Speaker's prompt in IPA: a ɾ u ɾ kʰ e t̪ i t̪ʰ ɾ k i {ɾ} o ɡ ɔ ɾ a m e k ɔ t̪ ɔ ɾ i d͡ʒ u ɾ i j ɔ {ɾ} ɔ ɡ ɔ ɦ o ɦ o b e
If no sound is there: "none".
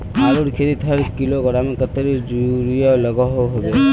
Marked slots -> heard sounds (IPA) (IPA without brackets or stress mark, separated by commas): l, l